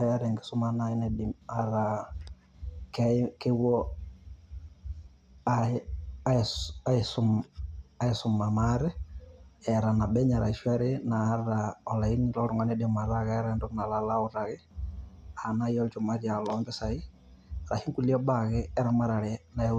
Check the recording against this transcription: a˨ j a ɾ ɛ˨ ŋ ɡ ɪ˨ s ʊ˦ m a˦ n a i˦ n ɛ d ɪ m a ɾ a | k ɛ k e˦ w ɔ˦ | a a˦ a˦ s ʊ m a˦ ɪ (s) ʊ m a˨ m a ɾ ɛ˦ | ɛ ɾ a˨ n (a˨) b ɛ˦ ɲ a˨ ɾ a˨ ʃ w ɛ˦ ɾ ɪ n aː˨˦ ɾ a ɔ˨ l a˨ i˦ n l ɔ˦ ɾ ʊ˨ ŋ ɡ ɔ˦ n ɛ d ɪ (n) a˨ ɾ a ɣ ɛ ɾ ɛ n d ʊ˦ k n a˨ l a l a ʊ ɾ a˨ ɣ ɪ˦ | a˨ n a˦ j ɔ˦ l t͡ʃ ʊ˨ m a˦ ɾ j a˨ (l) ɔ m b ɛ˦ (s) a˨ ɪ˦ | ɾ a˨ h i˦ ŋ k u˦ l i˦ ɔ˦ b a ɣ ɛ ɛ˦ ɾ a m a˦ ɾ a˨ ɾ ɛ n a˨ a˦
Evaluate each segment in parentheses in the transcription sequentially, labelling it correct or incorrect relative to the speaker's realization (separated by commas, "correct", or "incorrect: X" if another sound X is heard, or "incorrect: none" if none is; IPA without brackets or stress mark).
correct, correct, incorrect: m, correct, correct